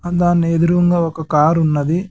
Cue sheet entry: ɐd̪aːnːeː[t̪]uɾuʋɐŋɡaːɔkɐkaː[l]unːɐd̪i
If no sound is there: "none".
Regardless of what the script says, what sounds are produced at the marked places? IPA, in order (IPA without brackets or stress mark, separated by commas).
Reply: d̪, ɾ